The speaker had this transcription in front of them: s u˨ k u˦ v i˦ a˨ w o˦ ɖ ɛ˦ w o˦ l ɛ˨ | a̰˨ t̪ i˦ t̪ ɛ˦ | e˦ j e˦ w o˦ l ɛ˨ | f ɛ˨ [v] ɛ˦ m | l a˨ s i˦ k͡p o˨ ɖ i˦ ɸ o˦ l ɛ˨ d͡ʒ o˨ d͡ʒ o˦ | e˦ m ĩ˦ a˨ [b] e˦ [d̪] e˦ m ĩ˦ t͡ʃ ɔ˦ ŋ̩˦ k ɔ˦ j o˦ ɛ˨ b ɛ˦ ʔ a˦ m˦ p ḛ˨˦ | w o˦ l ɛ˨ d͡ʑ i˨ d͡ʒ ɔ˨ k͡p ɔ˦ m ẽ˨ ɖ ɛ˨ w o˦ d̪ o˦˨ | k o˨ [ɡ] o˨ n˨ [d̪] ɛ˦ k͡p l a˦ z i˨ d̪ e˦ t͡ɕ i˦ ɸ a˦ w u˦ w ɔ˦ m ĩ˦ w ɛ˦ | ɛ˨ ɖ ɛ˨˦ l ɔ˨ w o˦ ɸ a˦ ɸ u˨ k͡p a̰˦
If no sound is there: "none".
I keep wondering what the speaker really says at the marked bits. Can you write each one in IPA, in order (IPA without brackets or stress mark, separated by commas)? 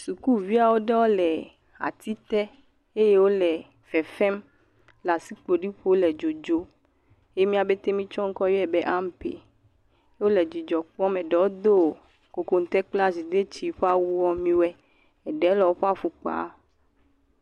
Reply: f, b, t̪, k, t̪